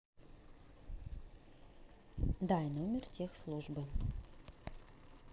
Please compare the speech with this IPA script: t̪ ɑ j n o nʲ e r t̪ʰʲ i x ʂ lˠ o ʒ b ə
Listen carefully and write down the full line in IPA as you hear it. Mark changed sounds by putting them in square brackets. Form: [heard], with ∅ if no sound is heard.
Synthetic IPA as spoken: [d̪] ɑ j n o [mʲ] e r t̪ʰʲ [e] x [s] lˠ [u] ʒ b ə

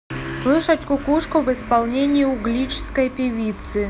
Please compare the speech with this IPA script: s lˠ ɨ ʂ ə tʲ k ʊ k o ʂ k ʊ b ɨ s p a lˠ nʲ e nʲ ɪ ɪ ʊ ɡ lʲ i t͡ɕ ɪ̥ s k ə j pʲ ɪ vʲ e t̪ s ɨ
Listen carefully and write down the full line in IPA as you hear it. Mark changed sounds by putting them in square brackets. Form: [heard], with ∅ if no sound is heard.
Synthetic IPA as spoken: s lˠ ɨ ʂ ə tʲ k ʊ k [u] ʂ k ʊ [v] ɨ s p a lˠ nʲ e nʲ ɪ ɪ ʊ ɡ lʲ i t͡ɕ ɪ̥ s k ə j pʲ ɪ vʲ [i] t̪ s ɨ

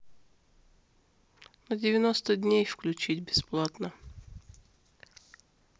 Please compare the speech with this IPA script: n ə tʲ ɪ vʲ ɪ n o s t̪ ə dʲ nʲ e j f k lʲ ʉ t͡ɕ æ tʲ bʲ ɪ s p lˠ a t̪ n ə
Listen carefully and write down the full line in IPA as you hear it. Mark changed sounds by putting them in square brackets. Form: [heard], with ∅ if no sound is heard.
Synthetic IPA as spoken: n ə [dʲ] ɪ vʲ ɪ n o s t̪ ə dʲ nʲ e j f k lʲ ʉ t͡ɕ [i] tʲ bʲ ɪ s p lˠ a t̪ n ə

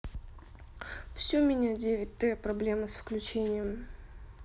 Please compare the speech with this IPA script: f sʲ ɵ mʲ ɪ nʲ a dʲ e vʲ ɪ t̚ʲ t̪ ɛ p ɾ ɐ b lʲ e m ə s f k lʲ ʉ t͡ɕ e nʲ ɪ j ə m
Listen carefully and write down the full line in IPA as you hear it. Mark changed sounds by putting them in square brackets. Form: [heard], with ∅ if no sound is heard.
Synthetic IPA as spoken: f sʲ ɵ mʲ ɪ nʲ a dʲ e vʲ ɪ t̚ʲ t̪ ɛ p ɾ ɐ b lʲ e m ə s f k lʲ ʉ t͡ɕ e nʲ ɪ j ə m

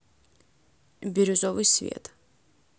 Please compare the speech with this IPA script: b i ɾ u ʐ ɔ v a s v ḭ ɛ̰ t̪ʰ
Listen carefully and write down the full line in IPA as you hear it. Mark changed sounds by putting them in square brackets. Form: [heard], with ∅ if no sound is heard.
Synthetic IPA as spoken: b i ɾ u [z] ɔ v [i] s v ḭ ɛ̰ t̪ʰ

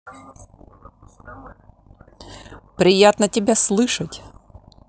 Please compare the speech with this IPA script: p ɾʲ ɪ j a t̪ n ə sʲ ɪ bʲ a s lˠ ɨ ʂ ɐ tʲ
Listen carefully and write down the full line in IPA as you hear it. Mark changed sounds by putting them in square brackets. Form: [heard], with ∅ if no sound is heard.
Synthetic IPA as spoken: p ɾʲ ɪ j a t̪ n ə [tʲ] ɪ bʲ a s lˠ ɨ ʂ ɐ tʲ

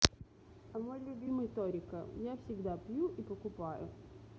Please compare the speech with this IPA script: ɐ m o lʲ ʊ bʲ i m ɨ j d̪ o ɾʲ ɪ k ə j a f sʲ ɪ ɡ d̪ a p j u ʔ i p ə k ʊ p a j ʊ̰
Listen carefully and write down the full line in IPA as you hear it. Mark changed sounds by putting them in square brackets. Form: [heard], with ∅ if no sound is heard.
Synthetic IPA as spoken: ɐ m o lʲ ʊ bʲ i m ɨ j [t̪] o ɾʲ ɪ k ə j a f sʲ ɪ ɡ d̪ a p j u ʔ i p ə k ʊ p a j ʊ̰

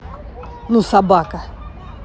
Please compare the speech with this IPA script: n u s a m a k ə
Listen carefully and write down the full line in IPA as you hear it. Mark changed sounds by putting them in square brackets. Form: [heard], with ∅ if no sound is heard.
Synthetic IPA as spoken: n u s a [b] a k [a]

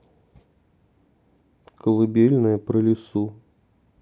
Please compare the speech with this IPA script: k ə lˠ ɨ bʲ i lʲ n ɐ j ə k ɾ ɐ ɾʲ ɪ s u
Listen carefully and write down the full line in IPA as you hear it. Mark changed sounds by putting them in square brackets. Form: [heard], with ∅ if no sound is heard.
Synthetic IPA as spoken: k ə lˠ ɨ bʲ [e] lʲ n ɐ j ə [p] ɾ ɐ [lʲ] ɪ s u

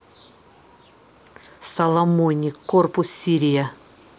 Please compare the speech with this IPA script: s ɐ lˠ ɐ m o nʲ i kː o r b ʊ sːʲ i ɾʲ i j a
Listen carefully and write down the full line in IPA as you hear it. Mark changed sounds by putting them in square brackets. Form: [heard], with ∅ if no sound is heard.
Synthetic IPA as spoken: s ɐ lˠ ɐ m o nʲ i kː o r [p] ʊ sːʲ i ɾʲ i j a

